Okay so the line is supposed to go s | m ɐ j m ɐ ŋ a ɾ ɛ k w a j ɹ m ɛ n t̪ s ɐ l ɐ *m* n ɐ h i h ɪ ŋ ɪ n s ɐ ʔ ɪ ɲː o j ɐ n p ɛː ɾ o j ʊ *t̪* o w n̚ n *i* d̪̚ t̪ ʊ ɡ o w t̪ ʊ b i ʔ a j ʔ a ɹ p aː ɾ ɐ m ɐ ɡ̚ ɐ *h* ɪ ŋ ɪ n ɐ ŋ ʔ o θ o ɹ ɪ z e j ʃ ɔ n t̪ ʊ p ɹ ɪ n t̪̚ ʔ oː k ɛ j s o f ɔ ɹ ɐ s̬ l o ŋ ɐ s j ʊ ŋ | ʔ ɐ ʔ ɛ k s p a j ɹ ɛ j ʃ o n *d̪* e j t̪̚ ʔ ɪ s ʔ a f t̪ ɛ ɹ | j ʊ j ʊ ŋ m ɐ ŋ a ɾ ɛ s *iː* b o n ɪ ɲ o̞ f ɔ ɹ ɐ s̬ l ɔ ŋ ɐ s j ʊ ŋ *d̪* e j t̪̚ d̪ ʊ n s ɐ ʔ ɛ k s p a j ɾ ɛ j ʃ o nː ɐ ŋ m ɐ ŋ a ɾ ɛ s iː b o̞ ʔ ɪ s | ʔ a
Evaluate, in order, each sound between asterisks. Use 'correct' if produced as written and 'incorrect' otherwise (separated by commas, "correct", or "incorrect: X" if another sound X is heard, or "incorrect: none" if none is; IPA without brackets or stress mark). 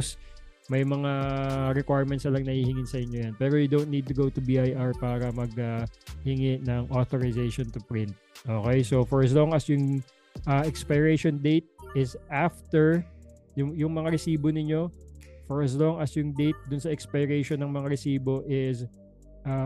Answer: incorrect: ŋ, incorrect: d̪, correct, correct, correct, correct, correct